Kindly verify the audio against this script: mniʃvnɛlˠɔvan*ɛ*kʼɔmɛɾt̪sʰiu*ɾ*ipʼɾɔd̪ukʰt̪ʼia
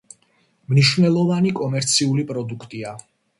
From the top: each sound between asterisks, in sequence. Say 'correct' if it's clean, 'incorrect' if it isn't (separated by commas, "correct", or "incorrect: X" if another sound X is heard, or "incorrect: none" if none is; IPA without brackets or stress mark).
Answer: incorrect: i, incorrect: l